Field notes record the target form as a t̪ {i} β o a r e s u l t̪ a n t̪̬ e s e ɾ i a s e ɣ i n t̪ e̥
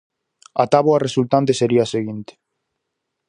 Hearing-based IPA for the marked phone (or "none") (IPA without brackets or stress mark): a